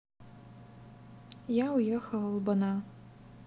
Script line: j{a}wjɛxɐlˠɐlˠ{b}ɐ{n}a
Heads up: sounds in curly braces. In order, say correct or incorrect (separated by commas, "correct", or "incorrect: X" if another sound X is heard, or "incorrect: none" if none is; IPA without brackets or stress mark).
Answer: correct, correct, correct